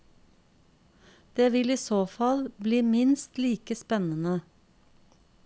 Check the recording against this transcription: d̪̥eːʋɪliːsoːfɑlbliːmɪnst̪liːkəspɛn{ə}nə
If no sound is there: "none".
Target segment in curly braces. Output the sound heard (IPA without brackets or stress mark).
ə